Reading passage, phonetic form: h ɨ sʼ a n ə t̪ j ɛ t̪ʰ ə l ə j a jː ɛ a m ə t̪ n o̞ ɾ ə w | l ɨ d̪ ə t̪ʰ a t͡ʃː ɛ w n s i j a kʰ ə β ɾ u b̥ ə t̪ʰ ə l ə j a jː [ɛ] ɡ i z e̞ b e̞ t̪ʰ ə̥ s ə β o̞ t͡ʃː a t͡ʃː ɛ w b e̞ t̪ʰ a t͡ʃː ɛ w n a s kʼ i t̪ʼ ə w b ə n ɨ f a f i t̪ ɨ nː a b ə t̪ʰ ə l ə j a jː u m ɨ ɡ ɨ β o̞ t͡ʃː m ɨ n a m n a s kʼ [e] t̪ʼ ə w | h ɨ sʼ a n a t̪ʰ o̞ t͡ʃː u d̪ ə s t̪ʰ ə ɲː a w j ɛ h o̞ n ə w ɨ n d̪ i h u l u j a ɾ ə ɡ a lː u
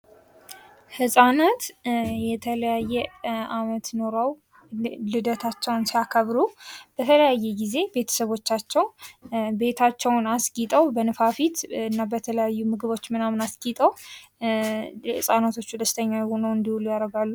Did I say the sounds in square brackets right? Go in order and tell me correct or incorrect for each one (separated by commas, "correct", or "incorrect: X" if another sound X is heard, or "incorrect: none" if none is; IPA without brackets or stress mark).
correct, incorrect: i